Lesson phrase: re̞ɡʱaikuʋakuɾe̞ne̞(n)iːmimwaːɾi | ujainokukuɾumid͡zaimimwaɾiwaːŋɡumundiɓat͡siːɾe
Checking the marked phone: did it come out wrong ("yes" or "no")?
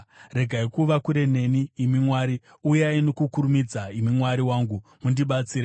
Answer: no